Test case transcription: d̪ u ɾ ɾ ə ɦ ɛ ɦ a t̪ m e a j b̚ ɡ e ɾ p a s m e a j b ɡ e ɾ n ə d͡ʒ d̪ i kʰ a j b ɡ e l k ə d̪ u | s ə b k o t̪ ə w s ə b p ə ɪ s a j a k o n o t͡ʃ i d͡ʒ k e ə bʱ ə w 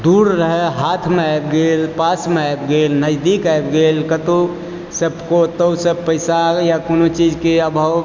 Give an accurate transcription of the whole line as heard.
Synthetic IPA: d̪ u ɾ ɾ ə ɦ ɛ ɦ a t̪ʰ m e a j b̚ ɡ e l p a s m e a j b ɡ e l n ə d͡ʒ d̪ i k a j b ɡ e l k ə t̪ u | s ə b k o t̪ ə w s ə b p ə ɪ s a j a k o n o t͡ʃ i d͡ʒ k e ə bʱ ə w